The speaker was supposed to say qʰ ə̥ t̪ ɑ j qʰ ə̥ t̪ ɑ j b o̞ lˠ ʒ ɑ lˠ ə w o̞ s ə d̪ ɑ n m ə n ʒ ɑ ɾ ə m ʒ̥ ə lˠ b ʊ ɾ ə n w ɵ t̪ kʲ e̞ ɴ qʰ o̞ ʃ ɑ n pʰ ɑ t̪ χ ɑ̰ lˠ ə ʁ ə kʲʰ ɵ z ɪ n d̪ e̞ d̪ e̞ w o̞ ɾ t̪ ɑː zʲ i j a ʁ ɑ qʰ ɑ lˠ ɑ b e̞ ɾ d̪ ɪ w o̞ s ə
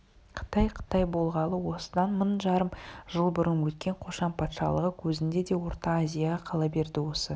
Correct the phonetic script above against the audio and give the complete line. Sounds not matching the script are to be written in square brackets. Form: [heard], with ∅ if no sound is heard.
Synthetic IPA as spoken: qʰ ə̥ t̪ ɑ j qʰ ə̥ t̪ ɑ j b o̞ lˠ [ʁ] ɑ lˠ ə w o̞ s ə d̪ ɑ n m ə n ʒ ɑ ɾ ə m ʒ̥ ə lˠ b ʊ ɾ ə n w ɵ t̪ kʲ e̞ ɴ qʰ o̞ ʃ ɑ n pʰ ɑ t̪ [ʃ] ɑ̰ lˠ ə ʁ ə kʲʰ ɵ z ɪ n d̪ e̞ d̪ e̞ w o̞ ɾ t̪ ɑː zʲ i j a ʁ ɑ qʰ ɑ lˠ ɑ b e̞ ɾ d̪ ɪ w o̞ s ə